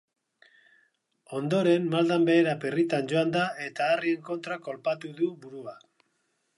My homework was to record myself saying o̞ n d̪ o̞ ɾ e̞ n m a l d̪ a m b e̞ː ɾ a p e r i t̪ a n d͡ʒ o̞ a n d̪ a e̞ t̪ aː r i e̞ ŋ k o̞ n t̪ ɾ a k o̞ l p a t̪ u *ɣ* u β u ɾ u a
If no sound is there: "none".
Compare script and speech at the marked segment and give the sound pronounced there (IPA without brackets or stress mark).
ð